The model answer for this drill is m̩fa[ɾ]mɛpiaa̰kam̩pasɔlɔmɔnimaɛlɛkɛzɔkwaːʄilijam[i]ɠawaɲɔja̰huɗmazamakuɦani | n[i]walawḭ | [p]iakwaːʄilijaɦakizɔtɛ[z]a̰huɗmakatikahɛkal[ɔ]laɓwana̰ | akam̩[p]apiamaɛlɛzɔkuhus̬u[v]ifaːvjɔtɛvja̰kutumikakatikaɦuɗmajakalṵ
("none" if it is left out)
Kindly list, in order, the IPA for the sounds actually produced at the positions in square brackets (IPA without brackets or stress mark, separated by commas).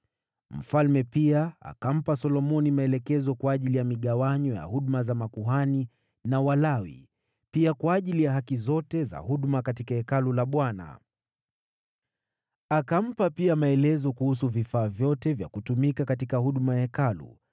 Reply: l, i, a, p, z, u, p, v